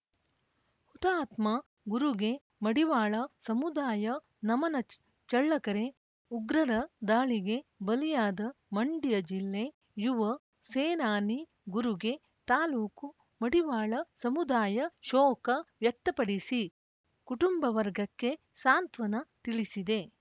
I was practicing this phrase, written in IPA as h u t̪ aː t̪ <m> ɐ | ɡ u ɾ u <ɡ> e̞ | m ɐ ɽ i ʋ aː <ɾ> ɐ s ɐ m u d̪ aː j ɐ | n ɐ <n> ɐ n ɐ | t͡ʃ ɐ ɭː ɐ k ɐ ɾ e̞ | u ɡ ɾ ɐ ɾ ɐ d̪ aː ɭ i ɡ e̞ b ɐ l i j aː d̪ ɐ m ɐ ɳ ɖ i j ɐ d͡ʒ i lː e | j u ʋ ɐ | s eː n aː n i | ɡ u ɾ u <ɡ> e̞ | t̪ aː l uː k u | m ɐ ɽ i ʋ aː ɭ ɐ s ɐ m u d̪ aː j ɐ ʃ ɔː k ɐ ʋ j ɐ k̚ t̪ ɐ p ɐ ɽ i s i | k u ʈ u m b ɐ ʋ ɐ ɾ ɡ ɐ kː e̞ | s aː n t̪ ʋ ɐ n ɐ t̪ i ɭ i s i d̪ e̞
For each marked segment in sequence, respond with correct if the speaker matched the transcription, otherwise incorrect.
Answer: correct, correct, incorrect: ɭ, incorrect: m, correct

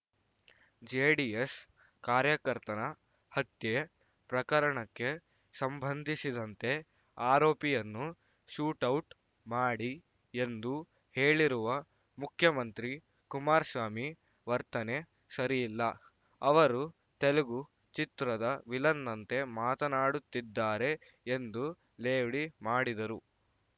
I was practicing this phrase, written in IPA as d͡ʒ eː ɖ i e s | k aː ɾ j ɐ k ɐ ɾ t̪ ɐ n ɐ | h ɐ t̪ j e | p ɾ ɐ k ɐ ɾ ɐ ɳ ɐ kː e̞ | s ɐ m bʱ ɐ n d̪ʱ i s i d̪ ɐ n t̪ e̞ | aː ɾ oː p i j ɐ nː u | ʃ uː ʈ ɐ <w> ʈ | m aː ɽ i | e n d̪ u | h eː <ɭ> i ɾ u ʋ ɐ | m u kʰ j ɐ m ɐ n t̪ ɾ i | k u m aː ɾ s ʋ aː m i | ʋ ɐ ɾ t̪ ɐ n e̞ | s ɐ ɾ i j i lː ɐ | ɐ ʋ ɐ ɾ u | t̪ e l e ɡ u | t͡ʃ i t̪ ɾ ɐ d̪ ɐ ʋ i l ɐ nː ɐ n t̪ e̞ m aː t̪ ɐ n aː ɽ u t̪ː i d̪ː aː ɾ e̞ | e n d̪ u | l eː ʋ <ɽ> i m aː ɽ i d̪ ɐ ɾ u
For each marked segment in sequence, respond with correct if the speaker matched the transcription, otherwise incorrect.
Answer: correct, correct, correct

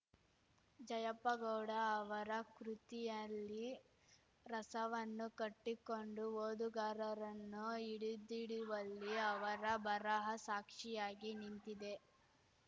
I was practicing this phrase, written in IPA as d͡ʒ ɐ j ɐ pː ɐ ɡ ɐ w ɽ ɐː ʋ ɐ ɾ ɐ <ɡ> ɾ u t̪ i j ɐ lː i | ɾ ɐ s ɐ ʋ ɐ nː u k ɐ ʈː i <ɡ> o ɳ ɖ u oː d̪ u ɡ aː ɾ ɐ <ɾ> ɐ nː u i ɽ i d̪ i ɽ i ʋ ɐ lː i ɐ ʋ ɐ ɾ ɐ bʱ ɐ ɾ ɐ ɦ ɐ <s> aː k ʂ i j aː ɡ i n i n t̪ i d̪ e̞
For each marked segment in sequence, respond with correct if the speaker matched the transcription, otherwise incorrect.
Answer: incorrect: k, incorrect: k, correct, correct

